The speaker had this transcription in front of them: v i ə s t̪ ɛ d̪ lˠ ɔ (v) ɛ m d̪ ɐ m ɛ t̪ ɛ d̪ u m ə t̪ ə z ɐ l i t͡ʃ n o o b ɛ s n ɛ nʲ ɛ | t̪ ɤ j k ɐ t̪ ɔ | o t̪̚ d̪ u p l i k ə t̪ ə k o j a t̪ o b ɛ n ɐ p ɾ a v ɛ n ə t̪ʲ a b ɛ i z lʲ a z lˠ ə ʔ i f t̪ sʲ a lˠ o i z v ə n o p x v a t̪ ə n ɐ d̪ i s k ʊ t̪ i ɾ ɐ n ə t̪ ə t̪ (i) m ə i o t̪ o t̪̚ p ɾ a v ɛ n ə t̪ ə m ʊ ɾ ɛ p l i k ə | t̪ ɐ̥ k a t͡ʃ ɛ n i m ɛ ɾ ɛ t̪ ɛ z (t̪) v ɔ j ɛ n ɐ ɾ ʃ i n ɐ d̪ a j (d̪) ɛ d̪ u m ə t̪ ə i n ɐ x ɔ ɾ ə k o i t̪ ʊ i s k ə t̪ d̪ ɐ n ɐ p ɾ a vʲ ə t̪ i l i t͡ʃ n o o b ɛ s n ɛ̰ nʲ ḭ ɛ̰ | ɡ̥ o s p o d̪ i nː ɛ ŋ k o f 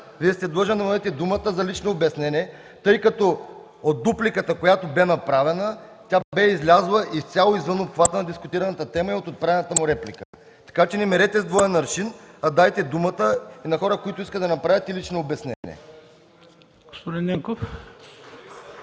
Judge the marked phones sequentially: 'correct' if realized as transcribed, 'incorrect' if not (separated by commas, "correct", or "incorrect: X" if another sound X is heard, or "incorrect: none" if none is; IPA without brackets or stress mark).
incorrect: ʒ, incorrect: ɛ, incorrect: d̪, incorrect: t̪